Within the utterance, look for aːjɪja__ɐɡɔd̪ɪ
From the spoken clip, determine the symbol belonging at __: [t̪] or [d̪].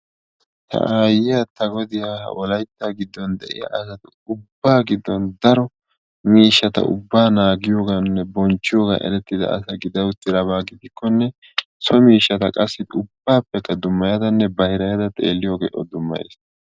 t̪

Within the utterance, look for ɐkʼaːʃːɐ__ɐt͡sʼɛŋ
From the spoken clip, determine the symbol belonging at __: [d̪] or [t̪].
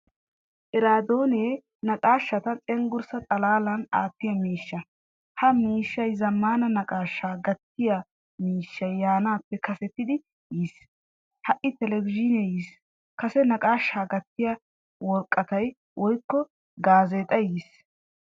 t̪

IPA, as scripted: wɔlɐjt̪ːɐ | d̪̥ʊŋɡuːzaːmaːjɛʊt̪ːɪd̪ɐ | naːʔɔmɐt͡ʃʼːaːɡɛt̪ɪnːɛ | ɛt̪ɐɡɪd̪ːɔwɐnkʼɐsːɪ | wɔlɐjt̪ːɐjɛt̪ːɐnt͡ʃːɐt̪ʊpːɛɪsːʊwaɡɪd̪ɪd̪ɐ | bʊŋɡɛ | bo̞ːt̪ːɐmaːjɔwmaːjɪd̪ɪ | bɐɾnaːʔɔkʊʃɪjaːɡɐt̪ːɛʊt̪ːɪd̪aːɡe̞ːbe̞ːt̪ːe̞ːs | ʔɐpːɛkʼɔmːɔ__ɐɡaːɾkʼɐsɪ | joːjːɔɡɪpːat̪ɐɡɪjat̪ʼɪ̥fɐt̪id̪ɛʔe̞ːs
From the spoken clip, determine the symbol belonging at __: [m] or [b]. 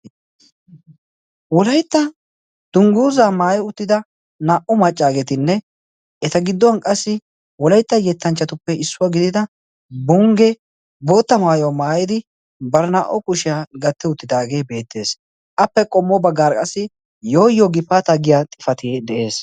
b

